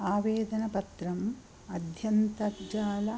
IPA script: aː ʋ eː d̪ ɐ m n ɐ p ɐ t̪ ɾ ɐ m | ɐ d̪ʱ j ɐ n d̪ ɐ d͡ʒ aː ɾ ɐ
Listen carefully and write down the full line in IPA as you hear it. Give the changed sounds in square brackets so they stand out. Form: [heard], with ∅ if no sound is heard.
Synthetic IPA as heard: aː ʋ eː d̪ ɐ [∅] n ɐ p ɐ t̪ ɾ ɐ m | ɐ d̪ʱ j ɐ n [t̪] ɐ d͡ʒ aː [l] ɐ